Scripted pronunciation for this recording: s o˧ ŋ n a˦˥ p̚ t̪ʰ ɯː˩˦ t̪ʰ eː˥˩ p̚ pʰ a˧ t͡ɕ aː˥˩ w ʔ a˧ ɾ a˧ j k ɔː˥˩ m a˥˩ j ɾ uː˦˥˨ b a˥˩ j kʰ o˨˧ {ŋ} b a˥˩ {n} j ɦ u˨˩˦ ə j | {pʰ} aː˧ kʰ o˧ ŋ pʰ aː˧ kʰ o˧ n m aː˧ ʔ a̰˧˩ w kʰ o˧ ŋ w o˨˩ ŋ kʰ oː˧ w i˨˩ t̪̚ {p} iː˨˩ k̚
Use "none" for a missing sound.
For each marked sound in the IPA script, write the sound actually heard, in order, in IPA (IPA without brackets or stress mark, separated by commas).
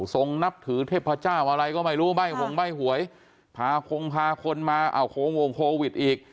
ŋ, none, pʰ, ʔ